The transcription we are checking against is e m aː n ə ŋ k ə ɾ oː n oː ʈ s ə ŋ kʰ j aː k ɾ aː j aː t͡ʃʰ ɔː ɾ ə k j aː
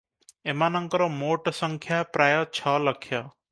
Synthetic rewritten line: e m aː n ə ŋ k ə ɾ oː m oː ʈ s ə ŋ kʰ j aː p ɾ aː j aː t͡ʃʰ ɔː l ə kʰ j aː